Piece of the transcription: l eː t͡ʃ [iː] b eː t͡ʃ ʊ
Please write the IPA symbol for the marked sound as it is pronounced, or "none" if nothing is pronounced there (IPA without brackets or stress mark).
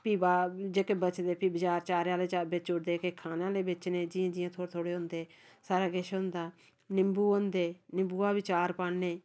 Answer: aː